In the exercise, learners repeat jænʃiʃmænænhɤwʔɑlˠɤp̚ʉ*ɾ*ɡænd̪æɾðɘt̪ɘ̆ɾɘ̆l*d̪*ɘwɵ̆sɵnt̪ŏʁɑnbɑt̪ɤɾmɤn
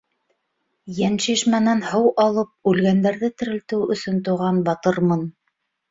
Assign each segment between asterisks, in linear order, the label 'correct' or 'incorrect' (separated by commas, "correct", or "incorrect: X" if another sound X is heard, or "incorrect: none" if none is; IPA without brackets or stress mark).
incorrect: l, incorrect: t̪